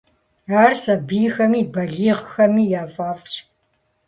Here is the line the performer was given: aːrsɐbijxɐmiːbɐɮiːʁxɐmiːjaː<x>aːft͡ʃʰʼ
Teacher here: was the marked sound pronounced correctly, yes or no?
no